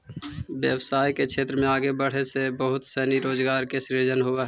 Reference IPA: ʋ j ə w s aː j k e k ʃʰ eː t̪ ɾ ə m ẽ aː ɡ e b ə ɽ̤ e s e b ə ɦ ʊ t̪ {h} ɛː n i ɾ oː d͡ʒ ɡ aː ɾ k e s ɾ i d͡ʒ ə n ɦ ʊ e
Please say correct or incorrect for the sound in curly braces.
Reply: incorrect: s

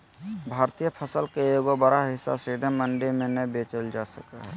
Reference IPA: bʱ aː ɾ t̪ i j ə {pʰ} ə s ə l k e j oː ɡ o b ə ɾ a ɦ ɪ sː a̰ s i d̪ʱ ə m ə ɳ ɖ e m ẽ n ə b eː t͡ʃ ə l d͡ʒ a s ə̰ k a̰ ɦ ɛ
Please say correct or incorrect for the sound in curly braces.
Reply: correct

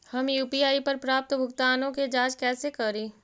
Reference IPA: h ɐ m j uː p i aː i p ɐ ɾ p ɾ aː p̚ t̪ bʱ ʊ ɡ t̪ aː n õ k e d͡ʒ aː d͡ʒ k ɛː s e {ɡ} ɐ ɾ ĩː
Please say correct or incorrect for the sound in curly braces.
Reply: incorrect: k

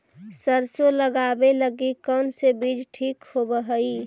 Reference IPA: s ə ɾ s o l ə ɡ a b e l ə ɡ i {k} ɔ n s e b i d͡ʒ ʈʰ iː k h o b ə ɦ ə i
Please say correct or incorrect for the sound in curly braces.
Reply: correct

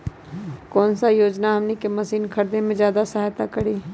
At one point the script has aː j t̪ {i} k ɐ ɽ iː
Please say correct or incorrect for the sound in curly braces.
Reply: incorrect: a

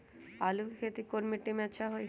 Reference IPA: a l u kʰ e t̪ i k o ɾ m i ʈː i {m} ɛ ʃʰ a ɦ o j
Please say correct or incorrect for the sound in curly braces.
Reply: correct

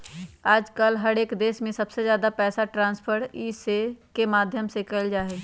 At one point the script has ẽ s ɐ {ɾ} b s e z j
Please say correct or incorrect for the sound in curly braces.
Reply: incorrect: none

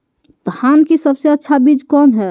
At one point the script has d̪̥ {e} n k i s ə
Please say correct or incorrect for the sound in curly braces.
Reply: incorrect: a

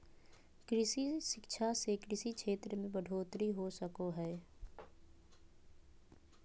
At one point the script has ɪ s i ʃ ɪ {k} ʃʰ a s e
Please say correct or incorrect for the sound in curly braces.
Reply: correct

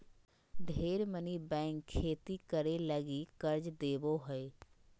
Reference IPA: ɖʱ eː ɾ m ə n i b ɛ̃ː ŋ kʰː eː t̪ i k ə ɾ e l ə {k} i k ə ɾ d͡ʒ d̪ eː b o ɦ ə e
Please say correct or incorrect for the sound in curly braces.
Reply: incorrect: ɡ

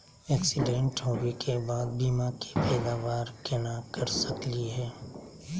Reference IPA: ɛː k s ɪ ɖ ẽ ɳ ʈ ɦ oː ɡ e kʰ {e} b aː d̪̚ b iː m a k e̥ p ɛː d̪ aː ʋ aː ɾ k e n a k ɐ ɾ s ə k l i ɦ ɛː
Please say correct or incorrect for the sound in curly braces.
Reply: correct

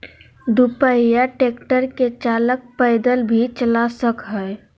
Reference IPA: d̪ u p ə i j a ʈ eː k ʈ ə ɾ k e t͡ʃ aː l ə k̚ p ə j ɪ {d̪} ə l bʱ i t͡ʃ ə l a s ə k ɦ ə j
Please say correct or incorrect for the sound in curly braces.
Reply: correct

